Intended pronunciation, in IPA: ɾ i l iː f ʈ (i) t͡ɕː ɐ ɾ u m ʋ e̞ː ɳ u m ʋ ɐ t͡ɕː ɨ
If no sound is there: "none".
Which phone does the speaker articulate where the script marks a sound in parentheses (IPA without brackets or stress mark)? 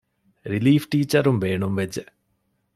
iː